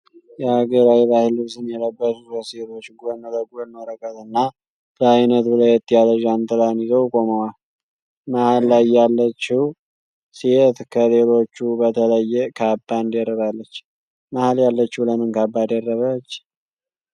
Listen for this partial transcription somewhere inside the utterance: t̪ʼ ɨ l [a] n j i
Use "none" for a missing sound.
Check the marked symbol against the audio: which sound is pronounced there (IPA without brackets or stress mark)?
a